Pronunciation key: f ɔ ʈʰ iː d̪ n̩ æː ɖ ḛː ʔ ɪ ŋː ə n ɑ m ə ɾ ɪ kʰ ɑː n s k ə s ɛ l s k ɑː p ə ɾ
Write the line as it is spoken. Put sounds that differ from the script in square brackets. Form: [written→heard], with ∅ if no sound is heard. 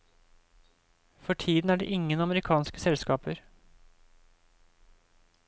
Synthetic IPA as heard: f ɔ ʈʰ iː d̪ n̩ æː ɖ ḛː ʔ ɪ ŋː ə n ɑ m ə ɾ ɪ kʰ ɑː n s k ə s ɛ l s k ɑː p ə ɾ